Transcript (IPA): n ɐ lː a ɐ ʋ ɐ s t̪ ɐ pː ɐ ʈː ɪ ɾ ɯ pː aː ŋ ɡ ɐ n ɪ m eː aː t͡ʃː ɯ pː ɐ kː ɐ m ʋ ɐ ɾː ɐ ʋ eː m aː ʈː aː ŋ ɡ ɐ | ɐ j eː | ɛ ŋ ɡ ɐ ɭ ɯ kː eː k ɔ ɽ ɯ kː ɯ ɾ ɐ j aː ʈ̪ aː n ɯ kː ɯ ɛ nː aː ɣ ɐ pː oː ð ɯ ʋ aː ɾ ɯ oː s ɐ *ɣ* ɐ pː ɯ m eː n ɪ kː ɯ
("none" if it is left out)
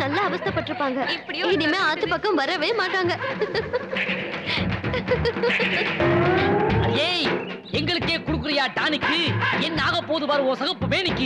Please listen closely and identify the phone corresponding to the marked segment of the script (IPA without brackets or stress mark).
ɣ